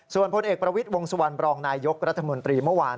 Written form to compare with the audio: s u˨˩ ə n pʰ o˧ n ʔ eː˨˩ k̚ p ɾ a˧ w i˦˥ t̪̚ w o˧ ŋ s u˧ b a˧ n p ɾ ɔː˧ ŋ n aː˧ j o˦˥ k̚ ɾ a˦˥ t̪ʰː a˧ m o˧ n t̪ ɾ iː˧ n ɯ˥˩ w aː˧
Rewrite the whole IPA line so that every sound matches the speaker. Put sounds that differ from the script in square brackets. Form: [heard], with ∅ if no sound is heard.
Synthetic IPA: s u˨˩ ə n pʰ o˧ n ʔ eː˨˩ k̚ p ɾ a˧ w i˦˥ t̪̚ w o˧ ŋ s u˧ [w] a˧ n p ɾ ɔː˧ ŋ n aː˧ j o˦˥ k̚ ɾ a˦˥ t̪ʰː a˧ m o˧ n t̪ ɾ iː˧ [m] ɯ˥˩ w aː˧